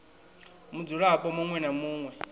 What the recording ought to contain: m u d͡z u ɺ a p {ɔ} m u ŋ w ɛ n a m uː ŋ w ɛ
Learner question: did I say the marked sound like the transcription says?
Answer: yes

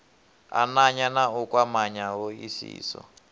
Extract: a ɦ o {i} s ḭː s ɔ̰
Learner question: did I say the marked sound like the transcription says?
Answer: yes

